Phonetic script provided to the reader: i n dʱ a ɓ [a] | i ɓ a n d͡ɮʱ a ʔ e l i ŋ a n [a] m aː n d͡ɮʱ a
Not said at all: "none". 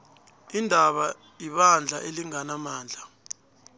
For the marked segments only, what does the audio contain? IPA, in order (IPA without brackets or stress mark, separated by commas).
a, a